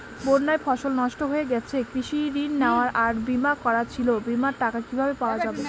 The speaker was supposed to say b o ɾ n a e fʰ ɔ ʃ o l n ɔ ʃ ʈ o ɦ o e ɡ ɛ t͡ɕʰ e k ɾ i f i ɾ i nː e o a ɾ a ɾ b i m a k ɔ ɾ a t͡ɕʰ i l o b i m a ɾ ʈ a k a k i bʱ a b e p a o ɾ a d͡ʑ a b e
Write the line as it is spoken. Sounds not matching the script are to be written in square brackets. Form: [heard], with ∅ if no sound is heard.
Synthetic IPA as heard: b o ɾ n a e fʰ ɔ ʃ o l n ɔ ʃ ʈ o ɦ o e ɡ ɛ t͡ɕʰ e k ɾ i [ʃ] i ɾ i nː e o a ɾ a ɾ b i m a k ɔ ɾ a t͡ɕʰ i l o b i m a ɾ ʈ a k a k i bʱ a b e p a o [∅] a d͡ʑ a b e